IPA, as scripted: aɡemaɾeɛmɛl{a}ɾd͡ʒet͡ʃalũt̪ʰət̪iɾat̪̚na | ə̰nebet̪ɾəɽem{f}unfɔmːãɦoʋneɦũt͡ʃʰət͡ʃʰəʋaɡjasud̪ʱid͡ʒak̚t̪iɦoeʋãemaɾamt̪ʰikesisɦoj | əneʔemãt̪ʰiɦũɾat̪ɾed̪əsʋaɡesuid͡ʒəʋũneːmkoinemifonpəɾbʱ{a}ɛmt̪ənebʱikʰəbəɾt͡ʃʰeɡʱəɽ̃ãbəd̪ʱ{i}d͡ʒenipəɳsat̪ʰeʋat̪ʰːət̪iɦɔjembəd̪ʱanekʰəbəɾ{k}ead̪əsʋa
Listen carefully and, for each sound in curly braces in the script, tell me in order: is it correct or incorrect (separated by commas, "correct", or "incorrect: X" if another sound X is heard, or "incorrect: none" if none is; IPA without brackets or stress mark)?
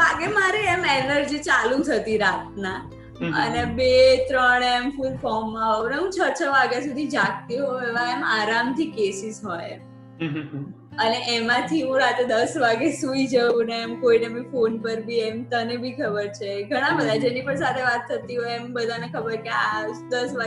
incorrect: ə, correct, incorrect: i, incorrect: a, correct